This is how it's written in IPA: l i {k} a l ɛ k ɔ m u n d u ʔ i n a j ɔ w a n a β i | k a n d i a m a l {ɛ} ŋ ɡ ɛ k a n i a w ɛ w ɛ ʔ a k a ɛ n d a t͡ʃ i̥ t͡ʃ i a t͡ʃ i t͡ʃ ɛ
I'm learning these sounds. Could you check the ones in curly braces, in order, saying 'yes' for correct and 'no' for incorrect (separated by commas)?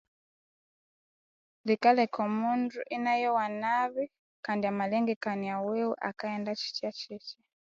yes, yes